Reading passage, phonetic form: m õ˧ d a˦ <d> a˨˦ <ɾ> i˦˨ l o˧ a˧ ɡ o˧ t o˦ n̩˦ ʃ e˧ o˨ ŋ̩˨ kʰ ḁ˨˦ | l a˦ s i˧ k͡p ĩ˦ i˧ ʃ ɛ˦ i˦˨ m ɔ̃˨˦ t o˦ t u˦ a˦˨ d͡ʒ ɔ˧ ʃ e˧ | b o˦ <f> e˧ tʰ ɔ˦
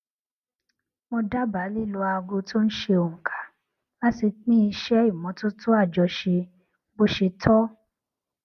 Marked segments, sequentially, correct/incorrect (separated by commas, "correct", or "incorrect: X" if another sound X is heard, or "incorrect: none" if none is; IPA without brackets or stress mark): incorrect: b, incorrect: l, incorrect: ʃ